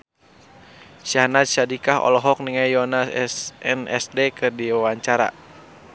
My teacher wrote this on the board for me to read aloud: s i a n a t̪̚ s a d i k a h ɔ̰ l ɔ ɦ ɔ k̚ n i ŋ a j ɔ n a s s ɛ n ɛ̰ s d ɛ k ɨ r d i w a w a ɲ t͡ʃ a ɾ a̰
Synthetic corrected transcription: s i a n a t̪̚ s a d i k a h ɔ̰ l ɔ ɦ ɔ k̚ n i ŋ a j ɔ n a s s ɛ n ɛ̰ s d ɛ k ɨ r d i w a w a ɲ t͡ʃ a ɾ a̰